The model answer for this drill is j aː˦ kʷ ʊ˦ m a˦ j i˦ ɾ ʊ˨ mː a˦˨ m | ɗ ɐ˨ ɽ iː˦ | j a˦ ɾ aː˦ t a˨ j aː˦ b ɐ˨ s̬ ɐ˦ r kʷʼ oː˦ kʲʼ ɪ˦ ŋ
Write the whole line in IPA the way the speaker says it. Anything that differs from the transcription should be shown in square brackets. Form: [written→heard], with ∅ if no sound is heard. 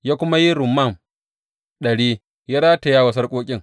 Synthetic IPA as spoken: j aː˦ kʷ ʊ˦ m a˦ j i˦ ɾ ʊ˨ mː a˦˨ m | ɗ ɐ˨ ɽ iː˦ | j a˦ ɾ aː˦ t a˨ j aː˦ [b→w] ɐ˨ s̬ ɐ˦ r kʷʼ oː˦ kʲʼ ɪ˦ ŋ